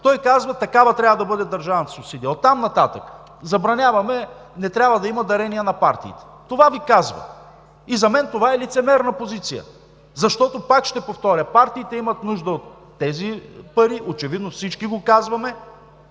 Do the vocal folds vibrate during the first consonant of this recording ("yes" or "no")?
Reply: no